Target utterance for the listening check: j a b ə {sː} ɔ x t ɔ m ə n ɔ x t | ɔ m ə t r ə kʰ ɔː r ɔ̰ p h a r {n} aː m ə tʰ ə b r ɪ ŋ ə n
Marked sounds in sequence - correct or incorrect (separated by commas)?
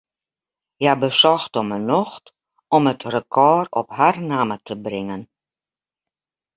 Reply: incorrect, correct